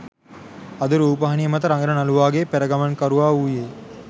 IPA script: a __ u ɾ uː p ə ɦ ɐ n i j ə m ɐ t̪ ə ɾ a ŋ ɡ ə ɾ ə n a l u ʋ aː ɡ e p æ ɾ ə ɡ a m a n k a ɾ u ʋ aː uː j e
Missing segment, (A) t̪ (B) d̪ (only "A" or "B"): B